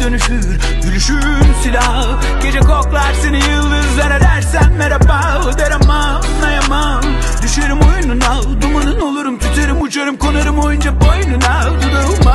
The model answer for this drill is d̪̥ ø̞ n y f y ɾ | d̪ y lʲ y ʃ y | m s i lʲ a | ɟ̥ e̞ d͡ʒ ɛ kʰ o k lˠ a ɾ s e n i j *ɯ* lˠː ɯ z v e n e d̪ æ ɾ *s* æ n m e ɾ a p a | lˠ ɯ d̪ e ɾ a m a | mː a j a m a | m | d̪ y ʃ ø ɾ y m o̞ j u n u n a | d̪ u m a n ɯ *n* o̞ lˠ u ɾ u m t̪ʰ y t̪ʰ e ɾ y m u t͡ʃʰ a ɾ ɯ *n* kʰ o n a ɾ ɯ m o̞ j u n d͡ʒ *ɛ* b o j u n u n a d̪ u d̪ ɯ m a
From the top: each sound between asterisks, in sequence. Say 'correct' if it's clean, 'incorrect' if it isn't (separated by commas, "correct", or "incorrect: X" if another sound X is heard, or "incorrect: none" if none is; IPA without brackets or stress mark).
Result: correct, correct, correct, incorrect: m, incorrect: a